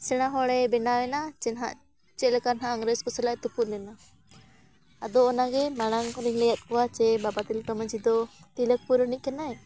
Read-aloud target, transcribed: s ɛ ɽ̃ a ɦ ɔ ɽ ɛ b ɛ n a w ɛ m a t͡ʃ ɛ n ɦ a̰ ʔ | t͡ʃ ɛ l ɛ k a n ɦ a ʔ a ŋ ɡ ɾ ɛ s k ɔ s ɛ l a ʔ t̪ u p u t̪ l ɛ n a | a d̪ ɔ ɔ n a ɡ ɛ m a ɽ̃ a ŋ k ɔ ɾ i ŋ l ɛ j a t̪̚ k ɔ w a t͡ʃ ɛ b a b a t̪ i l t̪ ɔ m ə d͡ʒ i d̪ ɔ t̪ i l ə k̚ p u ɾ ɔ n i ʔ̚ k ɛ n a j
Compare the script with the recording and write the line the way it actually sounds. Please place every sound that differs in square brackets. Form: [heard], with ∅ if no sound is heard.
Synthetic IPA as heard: s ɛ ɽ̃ a ɦ ɔ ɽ ɛ b ɛ n a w ɛ [n] a t͡ʃ ɛ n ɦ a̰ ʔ | t͡ʃ ɛ l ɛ k a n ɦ a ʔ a ŋ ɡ ɾ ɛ s k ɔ s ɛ l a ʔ t̪ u p u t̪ l ɛ n a | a d̪ ɔ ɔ n a ɡ ɛ m a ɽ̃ a ŋ k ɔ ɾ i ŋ l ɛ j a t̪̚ k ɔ w a t͡ʃ ɛ b a b a t̪ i l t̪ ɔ m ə d͡ʒ i d̪ ɔ t̪ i l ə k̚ p u ɾ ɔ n i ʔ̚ k ɛ n a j